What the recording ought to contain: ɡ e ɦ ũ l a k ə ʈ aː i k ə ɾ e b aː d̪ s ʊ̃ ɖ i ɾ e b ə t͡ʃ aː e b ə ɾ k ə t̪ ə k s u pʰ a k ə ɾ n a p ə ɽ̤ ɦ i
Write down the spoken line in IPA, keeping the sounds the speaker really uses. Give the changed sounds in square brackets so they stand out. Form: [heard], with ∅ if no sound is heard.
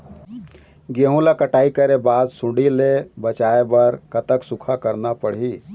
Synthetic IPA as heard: ɡ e ɦ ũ l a k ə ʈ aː i k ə ɾ e b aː d̪ s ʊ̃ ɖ i [l] e b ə t͡ʃ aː e b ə ɾ k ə t̪ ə k s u [kʰ] a k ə ɾ n a p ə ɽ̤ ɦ i